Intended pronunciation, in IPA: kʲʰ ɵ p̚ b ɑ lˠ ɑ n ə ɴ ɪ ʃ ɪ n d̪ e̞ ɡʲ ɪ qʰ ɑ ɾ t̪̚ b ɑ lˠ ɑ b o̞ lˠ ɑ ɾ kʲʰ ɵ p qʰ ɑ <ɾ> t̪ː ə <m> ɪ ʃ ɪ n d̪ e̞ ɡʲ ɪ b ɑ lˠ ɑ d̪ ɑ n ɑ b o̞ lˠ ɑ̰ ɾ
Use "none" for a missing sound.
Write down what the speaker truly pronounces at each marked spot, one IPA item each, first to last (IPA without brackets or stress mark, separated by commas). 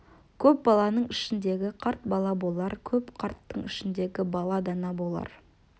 ɾ, ɴ